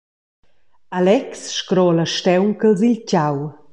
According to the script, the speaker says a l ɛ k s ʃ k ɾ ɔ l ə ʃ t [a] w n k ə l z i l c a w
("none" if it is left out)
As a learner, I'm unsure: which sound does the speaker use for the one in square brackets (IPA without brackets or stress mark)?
ɛ